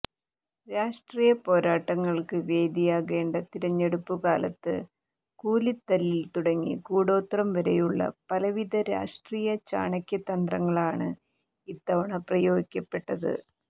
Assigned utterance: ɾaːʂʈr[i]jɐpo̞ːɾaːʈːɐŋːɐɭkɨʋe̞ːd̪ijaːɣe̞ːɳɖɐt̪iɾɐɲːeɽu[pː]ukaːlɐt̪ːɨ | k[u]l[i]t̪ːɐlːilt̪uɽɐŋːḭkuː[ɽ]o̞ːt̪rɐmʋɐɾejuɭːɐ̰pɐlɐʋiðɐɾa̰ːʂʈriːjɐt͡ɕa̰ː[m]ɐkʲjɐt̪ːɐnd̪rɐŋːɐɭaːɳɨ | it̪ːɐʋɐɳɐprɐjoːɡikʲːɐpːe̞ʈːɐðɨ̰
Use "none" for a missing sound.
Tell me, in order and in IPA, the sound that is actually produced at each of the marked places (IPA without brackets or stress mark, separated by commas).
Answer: iː, pː, uː, i, ɽ, ɳ